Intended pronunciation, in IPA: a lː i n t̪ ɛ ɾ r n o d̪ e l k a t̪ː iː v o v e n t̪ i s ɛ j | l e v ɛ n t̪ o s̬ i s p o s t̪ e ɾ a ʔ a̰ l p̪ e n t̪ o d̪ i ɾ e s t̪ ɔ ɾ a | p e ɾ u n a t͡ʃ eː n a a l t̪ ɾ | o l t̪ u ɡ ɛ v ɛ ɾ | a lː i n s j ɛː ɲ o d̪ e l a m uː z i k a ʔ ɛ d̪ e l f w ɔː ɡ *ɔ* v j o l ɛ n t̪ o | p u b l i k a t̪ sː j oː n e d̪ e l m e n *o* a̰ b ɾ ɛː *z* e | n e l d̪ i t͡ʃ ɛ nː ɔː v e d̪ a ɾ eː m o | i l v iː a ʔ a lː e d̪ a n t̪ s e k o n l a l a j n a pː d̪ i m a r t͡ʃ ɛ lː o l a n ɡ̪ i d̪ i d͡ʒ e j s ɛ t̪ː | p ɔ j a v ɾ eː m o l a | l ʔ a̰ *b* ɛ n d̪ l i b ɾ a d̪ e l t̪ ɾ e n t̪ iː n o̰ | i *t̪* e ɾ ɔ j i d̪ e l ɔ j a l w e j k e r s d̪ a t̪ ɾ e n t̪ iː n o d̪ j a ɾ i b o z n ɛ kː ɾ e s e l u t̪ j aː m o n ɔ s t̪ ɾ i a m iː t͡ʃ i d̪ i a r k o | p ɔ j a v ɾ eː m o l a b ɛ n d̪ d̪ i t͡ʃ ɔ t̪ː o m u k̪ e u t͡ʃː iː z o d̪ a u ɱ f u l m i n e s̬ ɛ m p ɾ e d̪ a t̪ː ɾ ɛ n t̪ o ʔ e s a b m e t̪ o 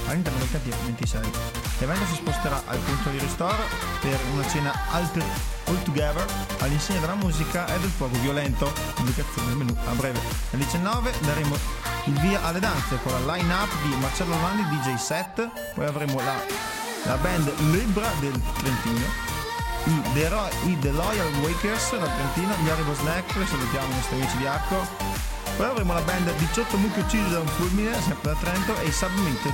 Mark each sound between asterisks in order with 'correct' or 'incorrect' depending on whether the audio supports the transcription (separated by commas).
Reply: incorrect, incorrect, incorrect, correct, incorrect